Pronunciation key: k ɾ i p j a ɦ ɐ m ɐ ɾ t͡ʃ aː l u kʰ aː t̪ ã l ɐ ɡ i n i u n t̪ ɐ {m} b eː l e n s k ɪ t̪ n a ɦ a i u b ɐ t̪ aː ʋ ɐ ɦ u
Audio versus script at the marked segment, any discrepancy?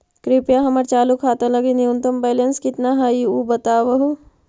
no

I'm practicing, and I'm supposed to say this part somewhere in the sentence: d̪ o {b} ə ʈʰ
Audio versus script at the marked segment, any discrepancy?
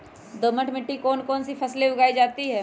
yes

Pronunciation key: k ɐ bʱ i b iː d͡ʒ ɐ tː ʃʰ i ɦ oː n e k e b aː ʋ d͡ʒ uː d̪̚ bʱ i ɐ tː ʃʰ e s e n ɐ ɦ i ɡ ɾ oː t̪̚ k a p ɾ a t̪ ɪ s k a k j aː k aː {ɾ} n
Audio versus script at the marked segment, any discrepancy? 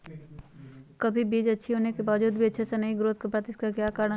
no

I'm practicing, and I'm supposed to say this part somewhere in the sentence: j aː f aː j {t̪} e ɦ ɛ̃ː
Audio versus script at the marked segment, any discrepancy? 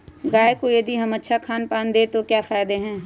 yes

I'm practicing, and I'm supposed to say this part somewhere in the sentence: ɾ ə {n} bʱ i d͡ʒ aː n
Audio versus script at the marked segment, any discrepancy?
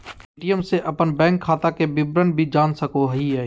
no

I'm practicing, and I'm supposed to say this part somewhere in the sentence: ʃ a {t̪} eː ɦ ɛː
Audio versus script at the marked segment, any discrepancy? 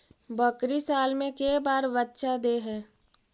yes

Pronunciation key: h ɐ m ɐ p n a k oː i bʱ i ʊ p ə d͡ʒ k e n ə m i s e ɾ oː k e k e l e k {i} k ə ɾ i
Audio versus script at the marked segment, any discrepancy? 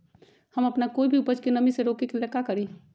yes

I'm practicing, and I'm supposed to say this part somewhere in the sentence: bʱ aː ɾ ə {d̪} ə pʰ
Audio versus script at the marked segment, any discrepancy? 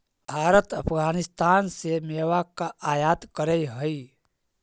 yes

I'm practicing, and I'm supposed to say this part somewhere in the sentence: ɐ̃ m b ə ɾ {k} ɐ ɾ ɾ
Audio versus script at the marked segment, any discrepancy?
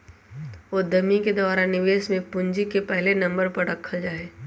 yes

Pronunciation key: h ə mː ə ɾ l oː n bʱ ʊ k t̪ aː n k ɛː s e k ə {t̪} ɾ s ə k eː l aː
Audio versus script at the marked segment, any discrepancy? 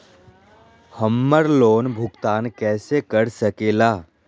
yes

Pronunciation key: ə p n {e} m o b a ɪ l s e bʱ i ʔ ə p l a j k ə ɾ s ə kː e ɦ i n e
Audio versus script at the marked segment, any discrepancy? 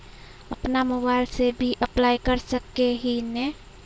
yes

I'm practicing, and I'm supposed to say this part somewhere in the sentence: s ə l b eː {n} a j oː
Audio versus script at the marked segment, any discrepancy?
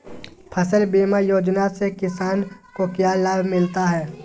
yes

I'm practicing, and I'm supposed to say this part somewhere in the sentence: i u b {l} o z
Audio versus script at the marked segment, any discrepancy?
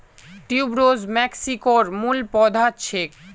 yes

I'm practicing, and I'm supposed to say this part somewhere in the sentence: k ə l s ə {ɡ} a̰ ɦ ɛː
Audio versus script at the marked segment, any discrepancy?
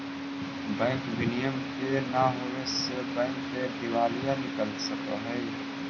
yes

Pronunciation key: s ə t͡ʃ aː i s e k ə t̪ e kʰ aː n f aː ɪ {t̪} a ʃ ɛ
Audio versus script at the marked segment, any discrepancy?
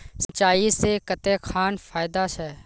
yes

